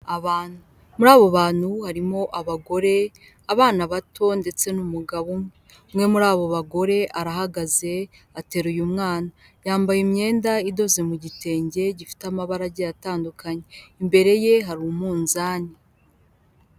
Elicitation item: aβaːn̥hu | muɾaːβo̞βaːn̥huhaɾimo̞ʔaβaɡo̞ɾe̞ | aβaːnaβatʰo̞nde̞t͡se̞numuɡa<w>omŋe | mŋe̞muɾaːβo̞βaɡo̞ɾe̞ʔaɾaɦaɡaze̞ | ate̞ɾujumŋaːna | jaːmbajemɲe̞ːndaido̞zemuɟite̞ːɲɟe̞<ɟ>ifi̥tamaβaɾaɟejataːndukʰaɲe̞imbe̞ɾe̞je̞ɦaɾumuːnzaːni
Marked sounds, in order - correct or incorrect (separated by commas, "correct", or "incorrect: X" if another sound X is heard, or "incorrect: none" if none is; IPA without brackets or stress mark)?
incorrect: β, correct